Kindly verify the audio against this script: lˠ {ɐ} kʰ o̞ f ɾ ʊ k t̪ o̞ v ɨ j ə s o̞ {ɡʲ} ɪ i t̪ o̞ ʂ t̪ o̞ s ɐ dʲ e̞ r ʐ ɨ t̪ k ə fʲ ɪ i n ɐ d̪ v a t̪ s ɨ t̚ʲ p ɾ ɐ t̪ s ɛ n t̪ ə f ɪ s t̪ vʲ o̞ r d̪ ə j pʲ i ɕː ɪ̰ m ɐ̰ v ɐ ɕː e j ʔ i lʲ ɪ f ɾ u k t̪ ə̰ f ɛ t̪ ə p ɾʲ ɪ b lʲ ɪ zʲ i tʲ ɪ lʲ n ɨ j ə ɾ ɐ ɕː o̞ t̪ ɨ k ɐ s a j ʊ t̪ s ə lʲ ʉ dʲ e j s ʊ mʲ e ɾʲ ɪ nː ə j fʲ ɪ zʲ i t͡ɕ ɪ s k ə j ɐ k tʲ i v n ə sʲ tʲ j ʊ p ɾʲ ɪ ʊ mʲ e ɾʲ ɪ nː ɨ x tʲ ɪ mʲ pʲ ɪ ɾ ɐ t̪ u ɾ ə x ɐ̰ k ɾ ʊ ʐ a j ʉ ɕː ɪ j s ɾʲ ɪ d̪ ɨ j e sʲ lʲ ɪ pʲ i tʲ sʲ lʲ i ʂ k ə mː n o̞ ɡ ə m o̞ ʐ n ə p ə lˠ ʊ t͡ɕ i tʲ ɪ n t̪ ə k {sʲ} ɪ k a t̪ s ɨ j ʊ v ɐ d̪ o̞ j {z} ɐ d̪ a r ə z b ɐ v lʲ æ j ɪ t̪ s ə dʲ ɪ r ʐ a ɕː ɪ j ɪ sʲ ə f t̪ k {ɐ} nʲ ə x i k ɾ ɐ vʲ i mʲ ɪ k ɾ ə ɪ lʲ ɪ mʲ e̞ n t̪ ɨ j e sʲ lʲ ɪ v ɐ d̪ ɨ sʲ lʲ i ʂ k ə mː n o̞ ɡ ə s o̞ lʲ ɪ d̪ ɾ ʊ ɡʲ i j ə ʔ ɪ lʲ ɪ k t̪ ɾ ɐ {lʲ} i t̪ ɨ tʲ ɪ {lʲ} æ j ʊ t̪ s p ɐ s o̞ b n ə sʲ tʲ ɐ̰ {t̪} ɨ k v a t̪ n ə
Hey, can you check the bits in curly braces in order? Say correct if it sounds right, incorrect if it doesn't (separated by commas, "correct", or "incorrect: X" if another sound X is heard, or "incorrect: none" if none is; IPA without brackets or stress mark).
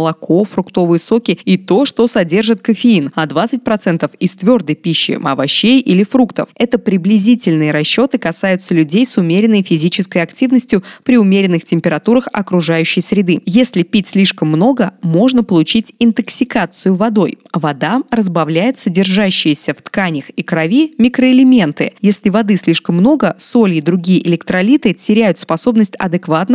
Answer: correct, incorrect: kʲ, correct, incorrect: v, incorrect: a, correct, incorrect: ɾʲ, incorrect: d̪